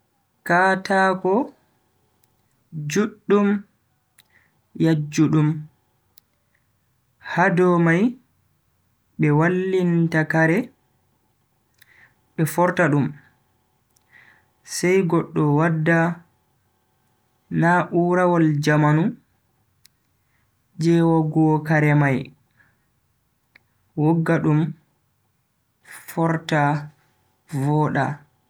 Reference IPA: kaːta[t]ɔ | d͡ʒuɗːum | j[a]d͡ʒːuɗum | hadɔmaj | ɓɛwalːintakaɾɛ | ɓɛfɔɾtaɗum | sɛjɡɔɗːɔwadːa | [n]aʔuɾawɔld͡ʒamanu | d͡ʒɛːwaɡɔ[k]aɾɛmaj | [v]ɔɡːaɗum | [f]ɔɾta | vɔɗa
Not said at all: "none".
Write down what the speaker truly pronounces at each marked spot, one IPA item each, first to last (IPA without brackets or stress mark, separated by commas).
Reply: k, a, n, k, w, f